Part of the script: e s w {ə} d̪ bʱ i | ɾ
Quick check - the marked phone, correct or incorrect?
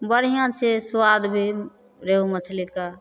incorrect